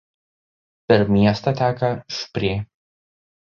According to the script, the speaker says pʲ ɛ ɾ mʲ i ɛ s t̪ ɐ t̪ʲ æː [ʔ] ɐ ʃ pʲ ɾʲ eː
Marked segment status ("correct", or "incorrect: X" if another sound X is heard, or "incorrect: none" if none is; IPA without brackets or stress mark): incorrect: k